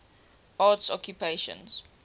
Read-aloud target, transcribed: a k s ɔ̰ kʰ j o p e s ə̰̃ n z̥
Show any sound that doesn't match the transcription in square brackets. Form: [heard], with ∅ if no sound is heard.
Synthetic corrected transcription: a [t] s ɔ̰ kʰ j [u] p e [ʃ] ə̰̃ n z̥